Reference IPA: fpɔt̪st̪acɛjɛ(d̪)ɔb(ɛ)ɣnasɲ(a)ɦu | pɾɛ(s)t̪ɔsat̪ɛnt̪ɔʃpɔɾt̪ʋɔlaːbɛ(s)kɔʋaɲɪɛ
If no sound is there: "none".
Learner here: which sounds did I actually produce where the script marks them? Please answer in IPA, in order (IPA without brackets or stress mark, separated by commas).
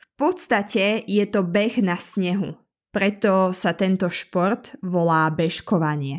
t̪, ɛ, ɛ, none, ʃ